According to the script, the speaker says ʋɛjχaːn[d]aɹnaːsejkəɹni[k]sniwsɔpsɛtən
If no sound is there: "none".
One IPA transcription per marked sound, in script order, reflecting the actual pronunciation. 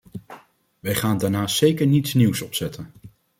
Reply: d, t

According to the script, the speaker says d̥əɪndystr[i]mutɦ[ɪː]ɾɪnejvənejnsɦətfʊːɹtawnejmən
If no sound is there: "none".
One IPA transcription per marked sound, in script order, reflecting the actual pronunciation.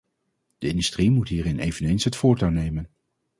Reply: i, iː

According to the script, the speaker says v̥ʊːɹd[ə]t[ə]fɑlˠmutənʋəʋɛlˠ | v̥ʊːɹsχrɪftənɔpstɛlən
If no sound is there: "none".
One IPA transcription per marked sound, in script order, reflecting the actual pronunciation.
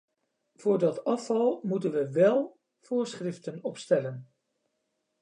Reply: ɑ, ɑ

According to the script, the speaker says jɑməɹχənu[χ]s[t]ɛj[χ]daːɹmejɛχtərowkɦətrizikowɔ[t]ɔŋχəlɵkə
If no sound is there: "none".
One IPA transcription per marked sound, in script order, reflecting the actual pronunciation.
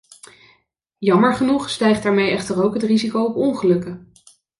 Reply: χ, t, χ, p

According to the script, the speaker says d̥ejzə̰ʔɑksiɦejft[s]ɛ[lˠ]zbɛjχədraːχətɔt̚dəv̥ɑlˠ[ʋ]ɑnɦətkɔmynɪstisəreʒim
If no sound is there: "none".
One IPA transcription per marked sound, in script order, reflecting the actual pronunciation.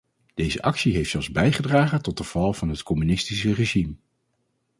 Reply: s, lˠ, v

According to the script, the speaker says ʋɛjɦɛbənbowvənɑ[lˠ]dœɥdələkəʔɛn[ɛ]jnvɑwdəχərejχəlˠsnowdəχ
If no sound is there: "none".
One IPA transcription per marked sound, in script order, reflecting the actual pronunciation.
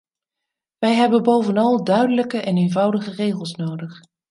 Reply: lˠ, e

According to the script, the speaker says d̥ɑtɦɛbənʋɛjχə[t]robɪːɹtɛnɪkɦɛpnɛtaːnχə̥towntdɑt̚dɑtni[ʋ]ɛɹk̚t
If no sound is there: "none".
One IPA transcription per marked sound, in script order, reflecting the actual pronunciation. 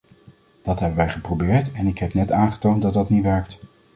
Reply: p, ʋ

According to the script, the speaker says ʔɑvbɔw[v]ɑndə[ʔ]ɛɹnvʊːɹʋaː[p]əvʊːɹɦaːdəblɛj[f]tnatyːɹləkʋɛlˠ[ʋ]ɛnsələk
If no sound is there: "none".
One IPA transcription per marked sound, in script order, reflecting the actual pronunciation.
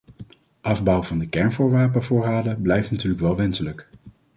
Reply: v, k, p, f, ʋ

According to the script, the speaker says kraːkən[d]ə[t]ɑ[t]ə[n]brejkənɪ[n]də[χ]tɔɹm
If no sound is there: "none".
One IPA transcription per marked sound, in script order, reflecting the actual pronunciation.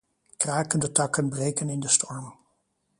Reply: d, t, k, n, n, s

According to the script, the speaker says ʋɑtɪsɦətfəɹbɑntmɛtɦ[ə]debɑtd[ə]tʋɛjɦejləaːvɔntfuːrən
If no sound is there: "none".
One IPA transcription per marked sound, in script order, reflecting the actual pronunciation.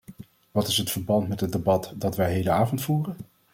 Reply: ə, ɑ

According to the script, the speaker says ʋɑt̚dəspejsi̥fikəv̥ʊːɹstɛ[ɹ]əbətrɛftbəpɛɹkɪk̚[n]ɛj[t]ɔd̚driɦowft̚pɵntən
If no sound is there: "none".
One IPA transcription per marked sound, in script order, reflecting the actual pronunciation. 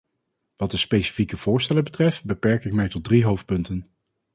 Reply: l, m, t

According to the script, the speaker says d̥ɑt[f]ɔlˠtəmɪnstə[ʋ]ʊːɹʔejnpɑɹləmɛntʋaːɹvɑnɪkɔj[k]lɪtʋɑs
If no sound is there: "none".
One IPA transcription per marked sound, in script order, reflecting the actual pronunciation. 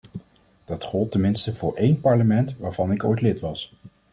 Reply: χ, v, t

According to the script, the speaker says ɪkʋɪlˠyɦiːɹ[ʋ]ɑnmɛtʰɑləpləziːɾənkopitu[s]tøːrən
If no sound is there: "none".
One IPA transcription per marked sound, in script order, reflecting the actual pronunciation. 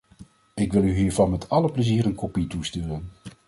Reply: v, s

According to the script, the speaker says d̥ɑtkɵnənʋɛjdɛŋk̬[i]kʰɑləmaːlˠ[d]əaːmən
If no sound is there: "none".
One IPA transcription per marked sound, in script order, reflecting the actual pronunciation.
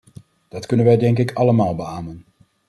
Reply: ɪ, b

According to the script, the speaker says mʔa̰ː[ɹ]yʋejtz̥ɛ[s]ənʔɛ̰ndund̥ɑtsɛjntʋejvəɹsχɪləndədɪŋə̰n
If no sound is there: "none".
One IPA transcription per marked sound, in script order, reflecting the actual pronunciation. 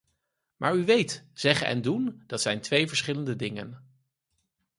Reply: ɹ, χ

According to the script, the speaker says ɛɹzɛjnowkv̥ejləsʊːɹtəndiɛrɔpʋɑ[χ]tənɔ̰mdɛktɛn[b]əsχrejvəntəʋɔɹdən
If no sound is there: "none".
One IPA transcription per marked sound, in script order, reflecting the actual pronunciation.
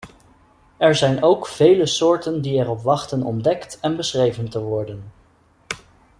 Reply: χ, b

